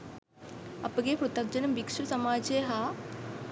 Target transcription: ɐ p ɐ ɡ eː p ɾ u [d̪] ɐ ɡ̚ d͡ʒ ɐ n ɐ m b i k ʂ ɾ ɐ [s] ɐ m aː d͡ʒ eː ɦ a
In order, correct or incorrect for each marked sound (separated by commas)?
incorrect, correct